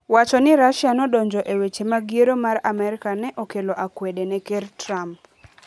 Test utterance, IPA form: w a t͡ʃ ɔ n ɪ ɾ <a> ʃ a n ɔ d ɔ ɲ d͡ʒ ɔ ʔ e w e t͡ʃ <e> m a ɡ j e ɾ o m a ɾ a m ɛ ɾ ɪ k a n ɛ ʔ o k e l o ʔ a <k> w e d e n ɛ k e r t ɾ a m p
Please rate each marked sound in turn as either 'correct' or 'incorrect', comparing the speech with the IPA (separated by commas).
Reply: correct, correct, correct